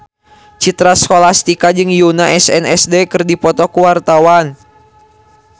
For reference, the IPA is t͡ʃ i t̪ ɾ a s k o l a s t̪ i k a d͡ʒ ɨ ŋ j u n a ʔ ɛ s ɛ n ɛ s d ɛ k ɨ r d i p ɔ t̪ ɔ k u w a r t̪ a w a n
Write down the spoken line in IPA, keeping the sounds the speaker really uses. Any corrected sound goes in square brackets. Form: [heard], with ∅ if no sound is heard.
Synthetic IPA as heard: t͡ʃ i t̪ ɾ a s k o l a s t̪ i k a d͡ʒ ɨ ŋ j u n a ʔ ɛ s ɛ n ɛ s d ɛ k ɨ r d i p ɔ t̪ ɔ k u w a r t̪ a w a n